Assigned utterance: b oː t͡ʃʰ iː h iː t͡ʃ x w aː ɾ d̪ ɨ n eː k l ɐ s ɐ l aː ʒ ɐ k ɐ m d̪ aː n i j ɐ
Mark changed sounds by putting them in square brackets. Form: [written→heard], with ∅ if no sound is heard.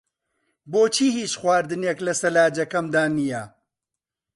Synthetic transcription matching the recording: b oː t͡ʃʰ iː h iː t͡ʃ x w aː ɾ d̪ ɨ n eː k l ɐ s ɐ l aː [ʒ→d͡ʒ] ɐ k ɐ m d̪ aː n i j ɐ

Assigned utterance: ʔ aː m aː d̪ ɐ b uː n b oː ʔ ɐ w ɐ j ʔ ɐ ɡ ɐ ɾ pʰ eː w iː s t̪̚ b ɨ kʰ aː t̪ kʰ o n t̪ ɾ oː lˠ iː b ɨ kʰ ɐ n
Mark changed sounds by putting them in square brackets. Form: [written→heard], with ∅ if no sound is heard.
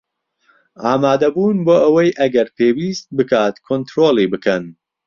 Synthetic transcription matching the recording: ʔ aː m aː d̪ ɐ b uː n b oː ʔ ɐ w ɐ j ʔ ɐ ɡ ɐ ɾ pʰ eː w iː s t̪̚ b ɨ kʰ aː t̪ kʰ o n t̪ ɾ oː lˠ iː b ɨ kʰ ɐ n

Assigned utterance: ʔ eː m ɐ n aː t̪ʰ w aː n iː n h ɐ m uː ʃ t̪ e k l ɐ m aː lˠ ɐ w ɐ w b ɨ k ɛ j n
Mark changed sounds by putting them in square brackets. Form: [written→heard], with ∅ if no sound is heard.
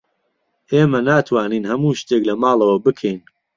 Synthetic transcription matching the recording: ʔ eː m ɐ n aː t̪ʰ w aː n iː n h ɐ m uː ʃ t̪ e k l ɐ m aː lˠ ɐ w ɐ [w→∅] b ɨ [k→kʰ] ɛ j n

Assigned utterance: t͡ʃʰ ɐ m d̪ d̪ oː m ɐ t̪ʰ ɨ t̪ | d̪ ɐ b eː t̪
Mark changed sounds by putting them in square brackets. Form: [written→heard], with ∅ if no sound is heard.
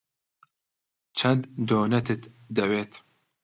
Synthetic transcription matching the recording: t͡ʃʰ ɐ [m→n] d̪ d̪ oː [m→n] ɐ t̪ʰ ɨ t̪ | d̪ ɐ [b→w] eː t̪

